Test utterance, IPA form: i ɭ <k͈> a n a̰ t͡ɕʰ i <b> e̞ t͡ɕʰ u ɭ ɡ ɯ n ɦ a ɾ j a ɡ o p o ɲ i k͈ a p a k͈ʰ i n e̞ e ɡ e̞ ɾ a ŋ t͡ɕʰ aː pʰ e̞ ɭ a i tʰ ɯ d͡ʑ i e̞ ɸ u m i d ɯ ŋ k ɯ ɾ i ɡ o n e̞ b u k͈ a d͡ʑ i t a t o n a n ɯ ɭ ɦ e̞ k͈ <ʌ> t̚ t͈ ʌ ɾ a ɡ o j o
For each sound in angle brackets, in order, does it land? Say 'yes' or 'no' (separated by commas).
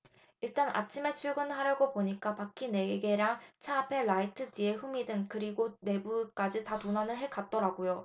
no, no, no